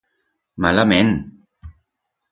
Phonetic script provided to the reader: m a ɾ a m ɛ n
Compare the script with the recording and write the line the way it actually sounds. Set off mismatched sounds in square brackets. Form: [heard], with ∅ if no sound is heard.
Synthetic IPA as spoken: m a [l] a m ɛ n